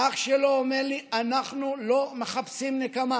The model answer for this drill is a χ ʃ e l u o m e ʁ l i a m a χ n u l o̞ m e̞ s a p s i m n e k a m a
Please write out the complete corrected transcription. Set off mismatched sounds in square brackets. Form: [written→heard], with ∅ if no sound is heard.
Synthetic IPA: a χ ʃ e l [u→o] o m e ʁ l i a [m→n] a χ n u l o̞ m e̞ [s→χ] a p s i m n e k a m a